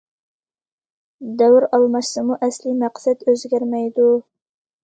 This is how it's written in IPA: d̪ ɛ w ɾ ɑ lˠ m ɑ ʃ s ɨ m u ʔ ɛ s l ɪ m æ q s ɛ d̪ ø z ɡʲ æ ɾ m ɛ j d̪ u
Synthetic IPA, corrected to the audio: d̪ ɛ w ɾ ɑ lˠ m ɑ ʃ s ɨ m u ʔ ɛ s l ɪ m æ q s ɛ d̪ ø z ɡʲ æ ɾ m ɛ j d̪ u